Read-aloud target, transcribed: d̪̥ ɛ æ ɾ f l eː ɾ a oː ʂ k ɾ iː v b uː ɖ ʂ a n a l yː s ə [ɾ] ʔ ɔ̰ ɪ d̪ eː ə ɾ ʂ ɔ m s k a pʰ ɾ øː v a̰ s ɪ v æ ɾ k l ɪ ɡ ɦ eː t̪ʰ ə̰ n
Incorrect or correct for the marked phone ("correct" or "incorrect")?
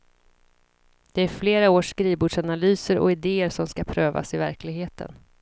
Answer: correct